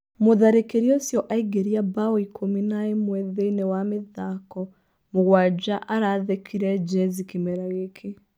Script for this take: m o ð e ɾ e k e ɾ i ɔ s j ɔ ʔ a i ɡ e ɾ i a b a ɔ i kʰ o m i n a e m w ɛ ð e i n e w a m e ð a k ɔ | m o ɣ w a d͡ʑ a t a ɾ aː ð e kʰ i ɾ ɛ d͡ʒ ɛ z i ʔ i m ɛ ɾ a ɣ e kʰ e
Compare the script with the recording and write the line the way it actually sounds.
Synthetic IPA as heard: m o ð a ɾ e k e ɾ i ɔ s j ɔ ʔ a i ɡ e ɾ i a b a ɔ i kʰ o m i n a e m w ɛ ð e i n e w a m e ð a k ɔ | m o ɣ w a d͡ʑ a ʔ a ɾ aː ð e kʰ i ɾ ɛ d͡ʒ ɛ z i k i m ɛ ɾ a ɣ e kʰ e